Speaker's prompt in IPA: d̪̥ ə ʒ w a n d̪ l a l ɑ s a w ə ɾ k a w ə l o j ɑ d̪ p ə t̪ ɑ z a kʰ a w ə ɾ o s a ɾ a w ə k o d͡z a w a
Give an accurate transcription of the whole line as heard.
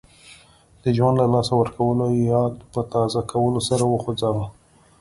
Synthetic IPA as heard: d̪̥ ə ʒ w a n d̪ l a l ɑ s a w ə ɾ k a w ə l o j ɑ d̪ p ə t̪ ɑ z a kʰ a w ə l o s a ɾ a w ə x o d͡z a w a